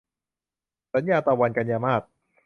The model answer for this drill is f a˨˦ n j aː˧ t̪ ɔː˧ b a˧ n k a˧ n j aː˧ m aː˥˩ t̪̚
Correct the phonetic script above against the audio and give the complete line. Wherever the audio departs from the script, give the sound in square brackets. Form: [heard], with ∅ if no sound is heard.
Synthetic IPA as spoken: [s] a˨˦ n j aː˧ t̪ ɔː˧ [w] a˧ n k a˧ n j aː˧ m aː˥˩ t̪̚